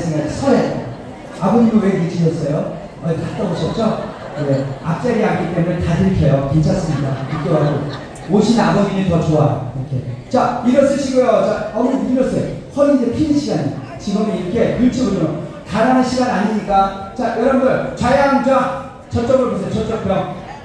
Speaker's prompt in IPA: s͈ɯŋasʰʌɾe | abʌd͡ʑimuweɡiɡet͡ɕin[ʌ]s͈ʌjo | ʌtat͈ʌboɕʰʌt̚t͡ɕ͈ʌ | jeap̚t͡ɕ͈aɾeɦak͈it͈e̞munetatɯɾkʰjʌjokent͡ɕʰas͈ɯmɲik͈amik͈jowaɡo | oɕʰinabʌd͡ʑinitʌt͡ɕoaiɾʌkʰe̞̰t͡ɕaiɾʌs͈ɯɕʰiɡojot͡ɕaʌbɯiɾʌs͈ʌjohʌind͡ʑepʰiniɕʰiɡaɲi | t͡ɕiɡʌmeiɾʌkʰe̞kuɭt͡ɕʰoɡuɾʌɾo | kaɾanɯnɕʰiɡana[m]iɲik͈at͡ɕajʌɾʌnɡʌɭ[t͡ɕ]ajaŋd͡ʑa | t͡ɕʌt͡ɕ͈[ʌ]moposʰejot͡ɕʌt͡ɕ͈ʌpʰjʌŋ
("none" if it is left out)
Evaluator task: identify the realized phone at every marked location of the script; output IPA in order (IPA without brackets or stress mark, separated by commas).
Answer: ʌ, ɲ, t͡ɕ, ʌ